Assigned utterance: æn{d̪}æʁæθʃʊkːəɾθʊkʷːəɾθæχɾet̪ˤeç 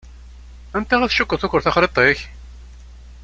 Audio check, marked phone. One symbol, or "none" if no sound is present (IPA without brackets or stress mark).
t̪